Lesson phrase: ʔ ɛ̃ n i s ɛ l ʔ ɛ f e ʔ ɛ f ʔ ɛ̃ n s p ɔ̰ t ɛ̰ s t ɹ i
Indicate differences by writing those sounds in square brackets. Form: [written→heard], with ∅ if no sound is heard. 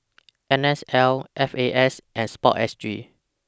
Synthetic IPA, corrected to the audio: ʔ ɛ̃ n [i→ɛ] s ɛ l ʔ ɛ f e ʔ ɛ [f→s] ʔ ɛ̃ n s p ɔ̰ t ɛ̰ s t ɹ i